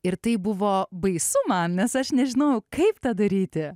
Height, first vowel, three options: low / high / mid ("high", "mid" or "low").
high